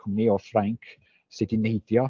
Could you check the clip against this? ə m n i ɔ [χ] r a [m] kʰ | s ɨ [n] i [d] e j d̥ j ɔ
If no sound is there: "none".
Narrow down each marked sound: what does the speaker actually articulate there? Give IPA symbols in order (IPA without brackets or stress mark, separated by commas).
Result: f, ŋ, d, n